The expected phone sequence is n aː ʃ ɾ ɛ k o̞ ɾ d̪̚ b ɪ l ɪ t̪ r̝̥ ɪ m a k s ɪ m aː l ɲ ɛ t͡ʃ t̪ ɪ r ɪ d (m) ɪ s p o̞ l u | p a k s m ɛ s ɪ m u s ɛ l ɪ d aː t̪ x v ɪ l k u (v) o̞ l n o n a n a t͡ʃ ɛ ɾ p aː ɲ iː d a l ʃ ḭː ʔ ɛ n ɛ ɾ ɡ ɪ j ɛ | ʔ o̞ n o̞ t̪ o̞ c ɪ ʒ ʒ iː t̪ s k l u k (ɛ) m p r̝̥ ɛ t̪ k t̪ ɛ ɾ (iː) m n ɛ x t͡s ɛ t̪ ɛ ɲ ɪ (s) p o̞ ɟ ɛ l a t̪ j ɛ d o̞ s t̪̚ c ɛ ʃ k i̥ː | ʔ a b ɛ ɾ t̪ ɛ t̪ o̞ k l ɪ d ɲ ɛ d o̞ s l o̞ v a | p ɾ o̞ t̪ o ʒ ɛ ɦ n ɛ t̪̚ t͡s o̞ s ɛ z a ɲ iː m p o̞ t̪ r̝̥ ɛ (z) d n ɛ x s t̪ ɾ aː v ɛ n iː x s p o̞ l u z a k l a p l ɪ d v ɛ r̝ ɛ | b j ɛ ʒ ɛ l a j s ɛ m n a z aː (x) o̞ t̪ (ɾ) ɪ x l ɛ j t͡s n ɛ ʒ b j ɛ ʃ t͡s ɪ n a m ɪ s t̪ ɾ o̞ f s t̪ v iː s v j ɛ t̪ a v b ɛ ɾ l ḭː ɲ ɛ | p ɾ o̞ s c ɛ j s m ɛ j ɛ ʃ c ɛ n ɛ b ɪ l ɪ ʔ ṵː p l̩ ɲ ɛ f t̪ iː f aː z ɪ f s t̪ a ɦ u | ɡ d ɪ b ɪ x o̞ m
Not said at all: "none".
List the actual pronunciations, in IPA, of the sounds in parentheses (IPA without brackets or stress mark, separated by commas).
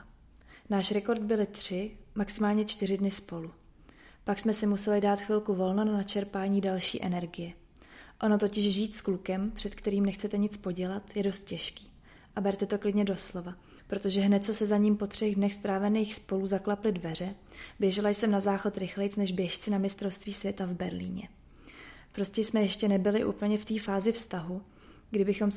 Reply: n, v, ɛ, iː, t͡s, ɣ, x, ɾ